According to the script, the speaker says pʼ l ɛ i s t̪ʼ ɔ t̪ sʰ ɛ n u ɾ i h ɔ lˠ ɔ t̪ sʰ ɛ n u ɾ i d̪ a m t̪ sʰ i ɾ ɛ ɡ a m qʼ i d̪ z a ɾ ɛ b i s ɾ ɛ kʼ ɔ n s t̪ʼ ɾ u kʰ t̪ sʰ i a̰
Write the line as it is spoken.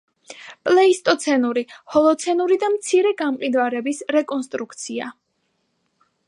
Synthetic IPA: pʼ l ɛ i s t̪ʼ ɔ t̪ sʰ ɛ n u ɾ i h ɔ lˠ ɔ t̪ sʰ ɛ n u ɾ i d̪ a m t̪ sʰ i ɾ ɛ ɡ a m qʼ i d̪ v a ɾ ɛ b i s ɾ ɛ kʼ ɔ n s t̪ʼ ɾ u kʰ t̪ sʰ i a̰